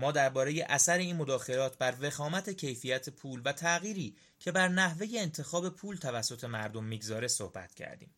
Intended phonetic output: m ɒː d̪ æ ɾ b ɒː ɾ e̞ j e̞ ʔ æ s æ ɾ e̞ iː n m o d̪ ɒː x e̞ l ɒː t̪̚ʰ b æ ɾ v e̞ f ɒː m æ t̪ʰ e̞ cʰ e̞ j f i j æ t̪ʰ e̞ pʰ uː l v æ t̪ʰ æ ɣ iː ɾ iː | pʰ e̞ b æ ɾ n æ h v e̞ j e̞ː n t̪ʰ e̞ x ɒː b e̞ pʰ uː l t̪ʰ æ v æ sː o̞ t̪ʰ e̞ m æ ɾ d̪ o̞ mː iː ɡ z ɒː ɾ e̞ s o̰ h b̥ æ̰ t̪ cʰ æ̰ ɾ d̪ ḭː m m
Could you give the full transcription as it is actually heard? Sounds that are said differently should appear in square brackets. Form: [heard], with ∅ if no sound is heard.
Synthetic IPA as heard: m ɒː d̪ æ ɾ b ɒː ɾ e̞ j e̞ ʔ æ s æ ɾ e̞ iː n m o d̪ ɒː x e̞ l ɒː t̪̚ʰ b æ ɾ v e̞ [x] ɒː m æ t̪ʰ e̞ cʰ e̞ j f i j æ t̪ʰ e̞ pʰ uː l v æ t̪ʰ æ ɣ iː ɾ iː | [cʰ] e̞ b æ ɾ n æ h v e̞ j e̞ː n t̪ʰ e̞ x ɒː b e̞ pʰ uː l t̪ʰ æ v æ sː o̞ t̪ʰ e̞ m æ ɾ d̪ o̞ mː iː ɡ z ɒː ɾ e̞ s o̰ h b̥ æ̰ t̪ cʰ æ̰ ɾ d̪ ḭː m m